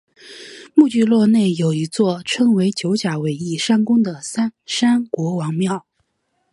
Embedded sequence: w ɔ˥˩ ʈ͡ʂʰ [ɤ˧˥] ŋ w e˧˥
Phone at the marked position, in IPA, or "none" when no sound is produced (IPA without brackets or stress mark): ɤ˥